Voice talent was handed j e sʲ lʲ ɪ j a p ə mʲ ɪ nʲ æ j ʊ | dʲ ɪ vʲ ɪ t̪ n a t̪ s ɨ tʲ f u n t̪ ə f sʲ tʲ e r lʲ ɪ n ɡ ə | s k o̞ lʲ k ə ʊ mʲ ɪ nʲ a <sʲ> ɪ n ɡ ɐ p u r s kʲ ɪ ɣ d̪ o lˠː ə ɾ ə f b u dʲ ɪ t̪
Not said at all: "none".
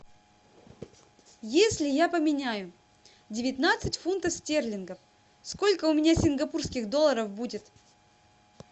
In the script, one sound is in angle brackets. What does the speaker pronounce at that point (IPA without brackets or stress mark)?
sʲ